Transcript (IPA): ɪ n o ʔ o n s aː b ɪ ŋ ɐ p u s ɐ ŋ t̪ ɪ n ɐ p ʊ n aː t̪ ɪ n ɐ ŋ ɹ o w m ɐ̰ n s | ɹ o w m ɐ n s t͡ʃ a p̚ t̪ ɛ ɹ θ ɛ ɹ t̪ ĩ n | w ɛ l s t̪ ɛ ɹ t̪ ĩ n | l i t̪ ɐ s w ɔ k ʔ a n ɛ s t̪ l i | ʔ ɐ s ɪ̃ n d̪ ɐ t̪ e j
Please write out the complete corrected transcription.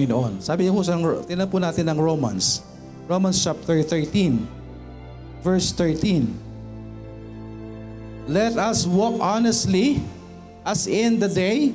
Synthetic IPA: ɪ n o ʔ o n s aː b ɪ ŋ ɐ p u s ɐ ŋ t̪ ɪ n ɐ p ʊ n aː t̪ ɪ n ɐ ŋ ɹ o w m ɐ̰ n s | ɹ o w m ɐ n s t͡ʃ a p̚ t̪ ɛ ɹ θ ɛ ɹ t̪ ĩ n | v ɛ ɹ s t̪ ɛ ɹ t̪ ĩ n | l ɛ t̪ ɐ s w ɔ k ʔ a n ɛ s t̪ l i | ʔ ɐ s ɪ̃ n d̪ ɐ d̪ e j